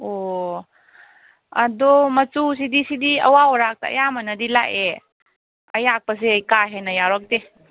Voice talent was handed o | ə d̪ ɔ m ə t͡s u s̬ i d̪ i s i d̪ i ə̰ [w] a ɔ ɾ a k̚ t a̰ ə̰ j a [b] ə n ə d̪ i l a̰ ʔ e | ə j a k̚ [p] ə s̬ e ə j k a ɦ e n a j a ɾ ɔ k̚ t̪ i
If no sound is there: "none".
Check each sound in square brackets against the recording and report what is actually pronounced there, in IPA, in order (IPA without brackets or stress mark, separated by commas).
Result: w, m, p